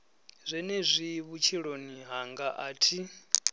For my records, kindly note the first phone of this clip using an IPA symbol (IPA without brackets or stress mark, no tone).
zʷ